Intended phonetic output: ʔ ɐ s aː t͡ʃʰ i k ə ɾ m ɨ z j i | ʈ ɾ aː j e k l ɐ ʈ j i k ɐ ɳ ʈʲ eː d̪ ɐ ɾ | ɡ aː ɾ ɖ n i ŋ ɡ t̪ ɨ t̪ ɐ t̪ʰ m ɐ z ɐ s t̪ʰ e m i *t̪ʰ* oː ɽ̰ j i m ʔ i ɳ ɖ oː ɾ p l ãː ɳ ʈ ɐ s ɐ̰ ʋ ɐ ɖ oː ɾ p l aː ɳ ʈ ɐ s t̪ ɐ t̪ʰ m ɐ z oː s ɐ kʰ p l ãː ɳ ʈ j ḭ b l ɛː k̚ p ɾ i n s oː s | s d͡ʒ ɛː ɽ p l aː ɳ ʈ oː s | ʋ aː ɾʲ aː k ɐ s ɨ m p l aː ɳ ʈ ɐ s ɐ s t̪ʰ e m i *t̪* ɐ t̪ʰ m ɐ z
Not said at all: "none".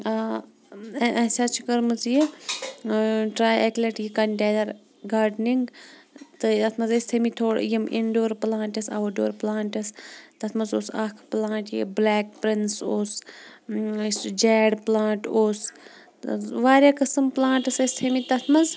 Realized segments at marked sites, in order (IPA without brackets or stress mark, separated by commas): t̪ʰ, t̪